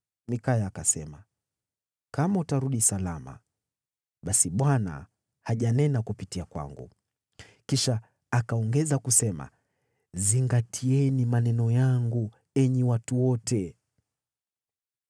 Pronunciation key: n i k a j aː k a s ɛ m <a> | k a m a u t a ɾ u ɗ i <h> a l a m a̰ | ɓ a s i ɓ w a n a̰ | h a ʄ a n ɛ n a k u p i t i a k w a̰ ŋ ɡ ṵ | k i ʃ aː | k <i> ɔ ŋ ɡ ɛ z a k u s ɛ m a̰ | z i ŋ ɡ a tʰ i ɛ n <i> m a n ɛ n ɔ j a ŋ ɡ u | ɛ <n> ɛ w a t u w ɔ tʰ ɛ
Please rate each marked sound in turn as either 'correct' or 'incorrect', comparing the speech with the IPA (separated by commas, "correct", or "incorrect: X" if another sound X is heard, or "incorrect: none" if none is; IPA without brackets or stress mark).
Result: correct, incorrect: s, incorrect: a, correct, incorrect: ɲ